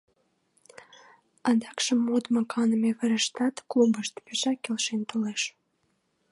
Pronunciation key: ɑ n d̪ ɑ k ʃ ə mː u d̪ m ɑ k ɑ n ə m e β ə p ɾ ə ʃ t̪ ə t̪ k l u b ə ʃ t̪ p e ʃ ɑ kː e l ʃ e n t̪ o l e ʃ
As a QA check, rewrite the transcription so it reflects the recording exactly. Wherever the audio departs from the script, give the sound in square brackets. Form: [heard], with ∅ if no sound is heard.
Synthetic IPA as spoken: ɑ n d̪ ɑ k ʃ ə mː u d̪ m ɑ k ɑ n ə m e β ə [∅] ɾ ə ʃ t̪ [ɑ] t̪ k l u b ə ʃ t̪ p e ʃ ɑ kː e l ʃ e n t̪ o l e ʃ

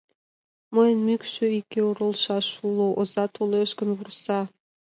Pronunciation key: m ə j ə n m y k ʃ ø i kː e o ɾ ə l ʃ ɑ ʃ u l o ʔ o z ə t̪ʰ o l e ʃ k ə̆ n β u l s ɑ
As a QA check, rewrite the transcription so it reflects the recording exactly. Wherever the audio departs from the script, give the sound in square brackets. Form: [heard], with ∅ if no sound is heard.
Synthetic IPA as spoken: m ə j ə n m y k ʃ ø i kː e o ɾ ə l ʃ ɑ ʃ u l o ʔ o z [ɑ] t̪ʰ o l e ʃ k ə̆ n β u [r] s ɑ

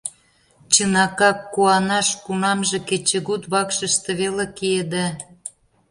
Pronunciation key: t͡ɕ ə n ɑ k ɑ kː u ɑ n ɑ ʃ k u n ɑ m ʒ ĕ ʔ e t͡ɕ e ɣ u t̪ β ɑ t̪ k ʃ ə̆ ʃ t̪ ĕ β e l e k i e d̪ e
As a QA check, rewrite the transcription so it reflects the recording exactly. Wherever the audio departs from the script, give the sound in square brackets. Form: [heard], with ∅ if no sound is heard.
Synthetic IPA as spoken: t͡ɕ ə n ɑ k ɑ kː u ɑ n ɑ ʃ k u n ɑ m ʒ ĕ [k] e t͡ɕ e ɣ u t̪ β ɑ [∅] k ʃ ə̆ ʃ t̪ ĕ β e l e k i e d̪ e

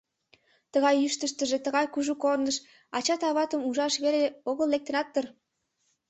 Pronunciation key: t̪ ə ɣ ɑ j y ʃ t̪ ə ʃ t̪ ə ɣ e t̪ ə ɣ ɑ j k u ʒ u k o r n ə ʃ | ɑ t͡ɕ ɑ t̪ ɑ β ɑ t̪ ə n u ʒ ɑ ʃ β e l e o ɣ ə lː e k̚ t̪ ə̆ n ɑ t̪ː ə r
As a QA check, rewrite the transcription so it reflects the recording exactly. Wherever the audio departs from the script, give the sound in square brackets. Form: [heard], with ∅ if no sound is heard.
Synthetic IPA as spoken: t̪ ə ɣ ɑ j y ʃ t̪ ə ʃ t̪ ə [ʒ] e t̪ ə ɣ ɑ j k u ʒ u k o r n ə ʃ | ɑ t͡ɕ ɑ t̪ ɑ β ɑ t̪ ə [m] u ʒ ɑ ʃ β e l e o ɣ ə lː e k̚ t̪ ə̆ n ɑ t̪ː ə r

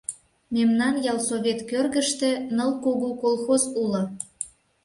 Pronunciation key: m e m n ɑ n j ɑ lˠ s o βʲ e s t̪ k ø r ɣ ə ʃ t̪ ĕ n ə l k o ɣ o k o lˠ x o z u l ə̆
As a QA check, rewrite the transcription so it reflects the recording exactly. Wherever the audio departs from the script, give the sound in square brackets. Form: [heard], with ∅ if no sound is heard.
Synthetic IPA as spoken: m e m n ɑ n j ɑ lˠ s o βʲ e [∅] t̪ k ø r ɣ ə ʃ t̪ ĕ n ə l k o ɣ o k o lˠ x o z u l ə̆

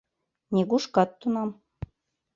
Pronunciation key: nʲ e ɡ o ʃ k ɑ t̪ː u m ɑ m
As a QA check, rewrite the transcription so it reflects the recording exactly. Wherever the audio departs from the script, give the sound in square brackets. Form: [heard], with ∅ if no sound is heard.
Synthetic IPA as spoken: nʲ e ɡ [u] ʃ k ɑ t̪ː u [n] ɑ m

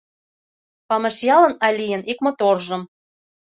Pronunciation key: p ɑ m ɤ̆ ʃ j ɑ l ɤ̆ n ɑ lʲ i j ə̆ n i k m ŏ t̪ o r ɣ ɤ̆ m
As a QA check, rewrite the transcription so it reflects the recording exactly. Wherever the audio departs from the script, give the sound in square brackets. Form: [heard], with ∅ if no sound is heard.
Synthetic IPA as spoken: p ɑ m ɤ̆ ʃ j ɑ l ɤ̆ n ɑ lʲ i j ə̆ n i k m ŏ t̪ o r [ʒ] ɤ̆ m

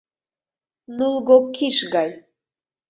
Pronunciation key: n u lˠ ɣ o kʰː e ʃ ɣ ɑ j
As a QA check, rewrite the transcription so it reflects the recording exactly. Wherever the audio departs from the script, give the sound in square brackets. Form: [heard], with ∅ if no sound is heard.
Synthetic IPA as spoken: n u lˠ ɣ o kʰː [i] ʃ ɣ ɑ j

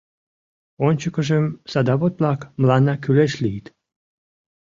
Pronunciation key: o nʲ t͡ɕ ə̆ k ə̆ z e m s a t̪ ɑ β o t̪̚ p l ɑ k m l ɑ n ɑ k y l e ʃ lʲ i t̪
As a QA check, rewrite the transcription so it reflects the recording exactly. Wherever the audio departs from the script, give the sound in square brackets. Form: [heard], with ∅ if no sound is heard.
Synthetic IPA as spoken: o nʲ t͡ɕ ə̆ k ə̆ [ʒ] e m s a [d̪] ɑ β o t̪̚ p l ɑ k m l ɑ n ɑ k y l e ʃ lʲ i t̪

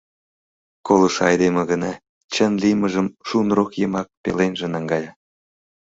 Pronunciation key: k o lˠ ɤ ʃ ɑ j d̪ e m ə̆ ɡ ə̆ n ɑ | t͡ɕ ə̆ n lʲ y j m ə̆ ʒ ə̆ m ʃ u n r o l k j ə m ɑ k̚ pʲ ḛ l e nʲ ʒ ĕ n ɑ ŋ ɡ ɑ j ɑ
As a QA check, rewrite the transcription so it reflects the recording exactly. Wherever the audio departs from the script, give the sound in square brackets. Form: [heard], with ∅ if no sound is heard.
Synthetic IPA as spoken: k o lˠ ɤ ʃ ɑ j d̪ e m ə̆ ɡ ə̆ n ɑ | t͡ɕ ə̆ n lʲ [i] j m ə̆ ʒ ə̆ m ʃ u n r o [∅] k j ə m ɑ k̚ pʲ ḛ l e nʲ ʒ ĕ n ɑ ŋ ɡ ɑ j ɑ

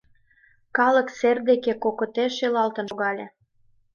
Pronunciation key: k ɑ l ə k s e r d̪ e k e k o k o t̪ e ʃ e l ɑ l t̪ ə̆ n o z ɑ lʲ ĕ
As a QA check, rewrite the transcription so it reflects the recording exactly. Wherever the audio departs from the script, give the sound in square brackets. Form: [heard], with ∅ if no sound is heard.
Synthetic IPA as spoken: k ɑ l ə k s e r d̪ e k e k o k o t̪ e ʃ e l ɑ l t̪ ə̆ n o [ɣ] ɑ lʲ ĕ

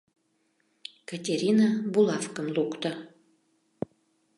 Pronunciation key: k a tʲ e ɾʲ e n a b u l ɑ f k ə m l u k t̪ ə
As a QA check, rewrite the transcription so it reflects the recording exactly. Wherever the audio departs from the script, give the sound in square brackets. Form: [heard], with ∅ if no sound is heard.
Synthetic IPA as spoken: k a tʲ e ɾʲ [i] n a b u l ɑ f k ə m l u k t̪ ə

